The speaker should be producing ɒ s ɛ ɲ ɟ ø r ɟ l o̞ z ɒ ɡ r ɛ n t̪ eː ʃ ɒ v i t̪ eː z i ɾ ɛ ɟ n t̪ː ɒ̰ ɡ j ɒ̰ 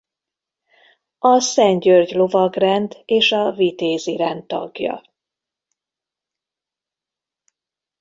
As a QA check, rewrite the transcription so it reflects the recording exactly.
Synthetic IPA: ɒ s ɛ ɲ ɟ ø r ɟ l o̞ v ɒ ɡ r ɛ n d̪ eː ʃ ɒ v i t̪ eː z i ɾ ɛ n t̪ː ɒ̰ ɡ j ɒ̰